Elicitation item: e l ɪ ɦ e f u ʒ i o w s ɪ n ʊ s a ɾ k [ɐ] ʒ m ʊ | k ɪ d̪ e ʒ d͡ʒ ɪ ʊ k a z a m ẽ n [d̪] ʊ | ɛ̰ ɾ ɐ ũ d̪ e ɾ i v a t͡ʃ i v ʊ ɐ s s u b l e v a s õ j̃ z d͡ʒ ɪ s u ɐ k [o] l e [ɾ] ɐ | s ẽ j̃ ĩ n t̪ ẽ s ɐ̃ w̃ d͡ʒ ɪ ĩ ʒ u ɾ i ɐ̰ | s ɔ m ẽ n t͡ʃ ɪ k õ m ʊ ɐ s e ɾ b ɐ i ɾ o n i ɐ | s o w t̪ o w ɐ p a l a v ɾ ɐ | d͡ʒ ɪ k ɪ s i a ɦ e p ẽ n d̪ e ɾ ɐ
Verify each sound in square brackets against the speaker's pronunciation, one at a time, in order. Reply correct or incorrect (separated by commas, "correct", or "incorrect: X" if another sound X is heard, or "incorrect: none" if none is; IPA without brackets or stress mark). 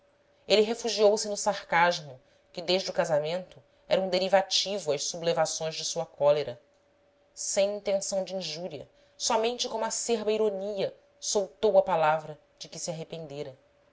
incorrect: a, incorrect: t̪, incorrect: ɔ, correct